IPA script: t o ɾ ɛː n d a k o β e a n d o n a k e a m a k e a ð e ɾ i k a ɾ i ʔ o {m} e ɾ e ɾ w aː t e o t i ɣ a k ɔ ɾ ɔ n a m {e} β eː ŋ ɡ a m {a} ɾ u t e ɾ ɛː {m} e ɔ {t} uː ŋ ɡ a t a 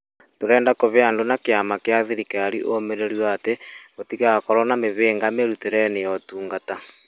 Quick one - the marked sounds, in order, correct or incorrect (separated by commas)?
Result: correct, correct, incorrect, incorrect, correct